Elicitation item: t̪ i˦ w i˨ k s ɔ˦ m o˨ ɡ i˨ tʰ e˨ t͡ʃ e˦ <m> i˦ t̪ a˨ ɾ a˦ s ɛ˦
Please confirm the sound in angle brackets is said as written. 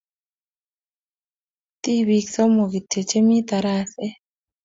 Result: yes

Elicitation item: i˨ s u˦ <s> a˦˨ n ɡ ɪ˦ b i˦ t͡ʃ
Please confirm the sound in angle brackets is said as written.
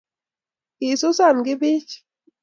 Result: yes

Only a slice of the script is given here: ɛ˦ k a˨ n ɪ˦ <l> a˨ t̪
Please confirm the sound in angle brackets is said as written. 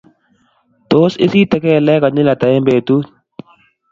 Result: yes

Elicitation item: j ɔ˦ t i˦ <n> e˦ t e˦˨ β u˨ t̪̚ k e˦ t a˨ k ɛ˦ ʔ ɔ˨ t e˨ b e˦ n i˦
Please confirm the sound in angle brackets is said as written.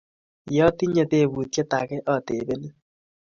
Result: no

